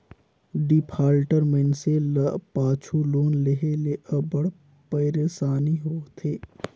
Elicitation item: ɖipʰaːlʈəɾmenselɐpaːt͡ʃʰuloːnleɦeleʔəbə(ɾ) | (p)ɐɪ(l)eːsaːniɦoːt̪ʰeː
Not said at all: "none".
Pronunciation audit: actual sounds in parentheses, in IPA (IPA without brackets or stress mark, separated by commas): ɽ, p, ɾ